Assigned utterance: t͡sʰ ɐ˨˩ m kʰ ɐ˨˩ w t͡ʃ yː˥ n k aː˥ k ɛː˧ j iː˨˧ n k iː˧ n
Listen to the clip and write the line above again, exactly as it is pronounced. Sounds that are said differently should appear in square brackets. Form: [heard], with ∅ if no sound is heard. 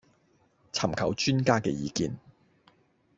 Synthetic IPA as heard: t͡sʰ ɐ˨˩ m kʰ ɐ˨˩ w t͡ʃ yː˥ n k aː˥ k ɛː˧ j iː˨˧ [∅] k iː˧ n